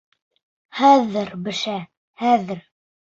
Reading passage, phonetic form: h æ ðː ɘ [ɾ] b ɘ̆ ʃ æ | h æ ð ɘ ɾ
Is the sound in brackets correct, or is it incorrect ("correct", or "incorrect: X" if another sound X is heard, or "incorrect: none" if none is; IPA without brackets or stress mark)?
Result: correct